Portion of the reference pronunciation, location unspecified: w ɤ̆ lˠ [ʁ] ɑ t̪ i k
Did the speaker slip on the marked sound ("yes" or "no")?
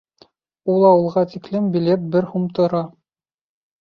no